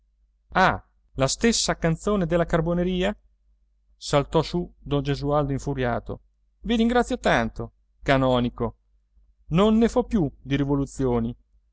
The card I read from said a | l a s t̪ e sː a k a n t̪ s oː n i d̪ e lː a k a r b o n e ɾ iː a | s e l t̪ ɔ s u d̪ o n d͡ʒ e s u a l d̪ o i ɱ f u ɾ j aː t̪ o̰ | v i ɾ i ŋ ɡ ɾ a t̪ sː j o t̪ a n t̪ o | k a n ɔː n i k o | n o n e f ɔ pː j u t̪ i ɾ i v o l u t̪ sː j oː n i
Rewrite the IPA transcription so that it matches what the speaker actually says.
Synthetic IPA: a | l a s t̪ e sː a k a n t̪ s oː n e d̪ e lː a k a r b o n e ɾ iː a | s a l t̪ ɔ s u d̪ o n d͡ʒ e z u a l d̪ o i ɱ f u ɾ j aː t̪ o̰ | v i ɾ i ŋ ɡ ɾ a t̪ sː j o t̪ a n t̪ o | k a n ɔː n i k o | n o nː e f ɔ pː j u d̪ i ɾ i v o l u t̪ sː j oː n i